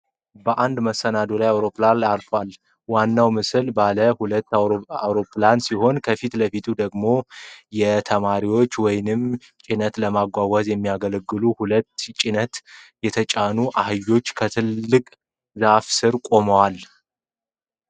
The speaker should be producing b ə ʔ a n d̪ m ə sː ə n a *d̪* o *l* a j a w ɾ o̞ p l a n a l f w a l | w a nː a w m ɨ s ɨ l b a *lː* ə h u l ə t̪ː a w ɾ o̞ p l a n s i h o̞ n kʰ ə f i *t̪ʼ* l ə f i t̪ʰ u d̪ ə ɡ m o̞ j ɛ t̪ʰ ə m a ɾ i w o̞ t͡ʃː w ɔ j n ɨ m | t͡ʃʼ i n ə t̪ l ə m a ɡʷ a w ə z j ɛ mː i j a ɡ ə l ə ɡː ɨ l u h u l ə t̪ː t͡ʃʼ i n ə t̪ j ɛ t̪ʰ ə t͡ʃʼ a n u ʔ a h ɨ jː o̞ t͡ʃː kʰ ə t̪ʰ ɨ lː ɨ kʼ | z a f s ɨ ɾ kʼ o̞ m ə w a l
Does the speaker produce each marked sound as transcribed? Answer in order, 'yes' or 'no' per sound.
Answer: yes, yes, no, no

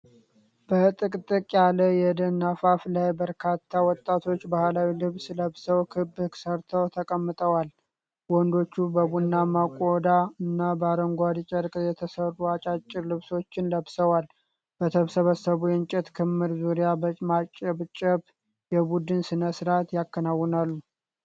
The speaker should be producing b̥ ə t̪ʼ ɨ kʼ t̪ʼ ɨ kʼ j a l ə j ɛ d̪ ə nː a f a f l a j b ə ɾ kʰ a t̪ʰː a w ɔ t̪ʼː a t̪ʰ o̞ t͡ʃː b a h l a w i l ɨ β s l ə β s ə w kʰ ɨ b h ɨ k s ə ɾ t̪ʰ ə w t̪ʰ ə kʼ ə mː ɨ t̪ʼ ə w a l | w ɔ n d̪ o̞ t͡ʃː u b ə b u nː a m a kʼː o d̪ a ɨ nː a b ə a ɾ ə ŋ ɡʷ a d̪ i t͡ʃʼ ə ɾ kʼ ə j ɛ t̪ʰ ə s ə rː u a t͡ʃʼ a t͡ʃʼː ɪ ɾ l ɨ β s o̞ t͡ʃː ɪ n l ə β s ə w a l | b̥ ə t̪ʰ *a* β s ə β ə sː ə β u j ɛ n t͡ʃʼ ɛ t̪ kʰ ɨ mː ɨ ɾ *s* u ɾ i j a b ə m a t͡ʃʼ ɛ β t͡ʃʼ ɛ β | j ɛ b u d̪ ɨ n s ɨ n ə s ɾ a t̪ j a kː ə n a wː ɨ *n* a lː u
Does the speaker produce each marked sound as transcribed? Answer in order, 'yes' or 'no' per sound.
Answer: no, no, yes

